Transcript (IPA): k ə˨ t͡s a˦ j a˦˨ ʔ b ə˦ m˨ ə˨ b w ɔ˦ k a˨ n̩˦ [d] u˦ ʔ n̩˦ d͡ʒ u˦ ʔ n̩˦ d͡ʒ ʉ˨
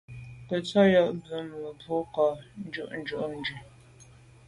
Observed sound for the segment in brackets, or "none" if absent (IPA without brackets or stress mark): d͡ʒ